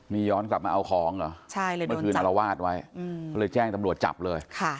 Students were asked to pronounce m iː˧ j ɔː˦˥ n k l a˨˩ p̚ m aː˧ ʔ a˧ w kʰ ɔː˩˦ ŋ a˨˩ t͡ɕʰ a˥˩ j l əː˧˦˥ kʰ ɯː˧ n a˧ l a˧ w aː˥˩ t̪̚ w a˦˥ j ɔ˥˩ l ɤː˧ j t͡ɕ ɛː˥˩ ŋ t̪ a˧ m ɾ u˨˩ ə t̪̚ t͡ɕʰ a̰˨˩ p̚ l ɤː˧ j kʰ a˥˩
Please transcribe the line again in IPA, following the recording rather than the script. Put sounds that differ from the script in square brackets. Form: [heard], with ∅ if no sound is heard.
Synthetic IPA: m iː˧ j ɔː˦˥ n k l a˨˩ p̚ m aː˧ ʔ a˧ w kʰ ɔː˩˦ ŋ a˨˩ t͡ɕʰ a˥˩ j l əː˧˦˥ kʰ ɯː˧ n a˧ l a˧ w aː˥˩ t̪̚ w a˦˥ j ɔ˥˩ l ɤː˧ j t͡ɕ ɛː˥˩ ŋ t̪ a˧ m ɾ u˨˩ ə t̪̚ [t͡ɕ] a̰˨˩ p̚ l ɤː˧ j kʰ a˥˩